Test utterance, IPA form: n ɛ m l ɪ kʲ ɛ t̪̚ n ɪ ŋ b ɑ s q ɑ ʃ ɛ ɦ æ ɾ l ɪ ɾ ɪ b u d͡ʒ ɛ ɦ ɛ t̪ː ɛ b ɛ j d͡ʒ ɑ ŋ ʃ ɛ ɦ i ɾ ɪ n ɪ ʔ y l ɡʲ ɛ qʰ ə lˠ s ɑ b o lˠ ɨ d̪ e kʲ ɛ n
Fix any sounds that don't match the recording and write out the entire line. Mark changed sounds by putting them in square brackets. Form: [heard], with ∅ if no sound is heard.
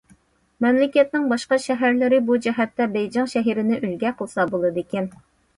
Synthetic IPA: [m] ɛ m l ɪ kʲ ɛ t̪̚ n ɪ ŋ b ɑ [ʃ] q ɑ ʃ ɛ ɦ æ ɾ l ɪ ɾ ɪ b u d͡ʒ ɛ ɦ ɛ t̪ː ɛ b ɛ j d͡ʒ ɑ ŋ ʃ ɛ ɦ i ɾ ɪ n ɪ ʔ y l ɡʲ ɛ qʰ ə lˠ s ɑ b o lˠ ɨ d̪ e kʲ ɛ n